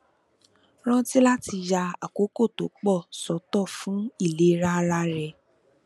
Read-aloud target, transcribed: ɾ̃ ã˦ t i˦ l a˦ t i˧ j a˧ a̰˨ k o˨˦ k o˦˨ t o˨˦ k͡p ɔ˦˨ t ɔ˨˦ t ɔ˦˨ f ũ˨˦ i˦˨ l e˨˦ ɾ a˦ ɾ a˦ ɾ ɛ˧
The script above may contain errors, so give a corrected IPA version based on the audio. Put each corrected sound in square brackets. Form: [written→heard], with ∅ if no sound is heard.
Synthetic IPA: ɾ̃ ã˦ t i˦ l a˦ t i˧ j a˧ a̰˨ k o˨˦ k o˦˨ t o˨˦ k͡p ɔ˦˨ [t→s] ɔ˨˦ t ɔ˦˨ f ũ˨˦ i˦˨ l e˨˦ ɾ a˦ ɾ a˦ ɾ ɛ˧